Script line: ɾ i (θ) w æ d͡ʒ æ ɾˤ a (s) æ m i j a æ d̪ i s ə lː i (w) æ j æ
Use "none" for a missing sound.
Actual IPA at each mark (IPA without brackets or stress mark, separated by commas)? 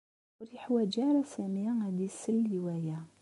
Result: ħ, s, w